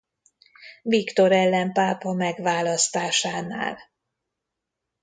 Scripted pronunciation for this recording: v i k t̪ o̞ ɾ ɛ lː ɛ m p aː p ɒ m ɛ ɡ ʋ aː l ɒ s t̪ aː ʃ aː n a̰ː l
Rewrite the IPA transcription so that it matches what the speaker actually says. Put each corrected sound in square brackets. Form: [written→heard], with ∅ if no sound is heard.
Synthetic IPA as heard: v i k t̪ o̞ ɾ ɛ lː ɛ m p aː p ɒ m ɛ ɡ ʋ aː l ɒ s t̪ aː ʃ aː n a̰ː l